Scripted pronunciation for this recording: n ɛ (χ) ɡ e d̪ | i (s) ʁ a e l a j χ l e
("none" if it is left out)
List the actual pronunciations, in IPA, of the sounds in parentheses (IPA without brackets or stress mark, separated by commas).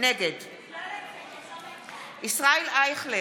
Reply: none, s